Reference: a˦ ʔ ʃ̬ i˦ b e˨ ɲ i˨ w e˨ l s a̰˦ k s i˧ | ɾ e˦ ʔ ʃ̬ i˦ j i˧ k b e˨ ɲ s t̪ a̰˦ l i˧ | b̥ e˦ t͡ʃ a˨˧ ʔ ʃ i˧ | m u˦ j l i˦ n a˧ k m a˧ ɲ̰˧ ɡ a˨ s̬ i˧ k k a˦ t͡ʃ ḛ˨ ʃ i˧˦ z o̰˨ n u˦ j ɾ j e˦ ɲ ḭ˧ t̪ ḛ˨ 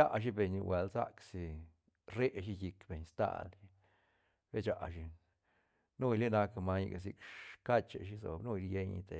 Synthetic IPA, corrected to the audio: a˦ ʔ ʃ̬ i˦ b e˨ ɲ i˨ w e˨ l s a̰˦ k s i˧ | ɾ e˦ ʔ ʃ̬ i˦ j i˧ k b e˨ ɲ s t̪ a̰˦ l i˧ | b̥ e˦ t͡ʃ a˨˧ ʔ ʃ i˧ | n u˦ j l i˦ n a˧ k m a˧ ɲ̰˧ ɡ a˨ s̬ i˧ k k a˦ t͡ʃ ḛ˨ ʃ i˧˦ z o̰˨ n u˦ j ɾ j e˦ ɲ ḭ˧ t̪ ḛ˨